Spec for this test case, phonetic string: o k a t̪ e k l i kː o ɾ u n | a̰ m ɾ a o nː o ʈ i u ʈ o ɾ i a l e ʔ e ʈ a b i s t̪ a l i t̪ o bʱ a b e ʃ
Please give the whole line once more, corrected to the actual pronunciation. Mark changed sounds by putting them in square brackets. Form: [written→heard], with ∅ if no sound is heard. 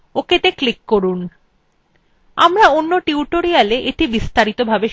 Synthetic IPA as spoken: o k [a→e] t̪ e k l i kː o ɾ u n | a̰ m ɾ a o nː o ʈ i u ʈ o ɾ i a l e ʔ e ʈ [a→i] b i s t̪ a [l→ɾ] i t̪ o bʱ a b e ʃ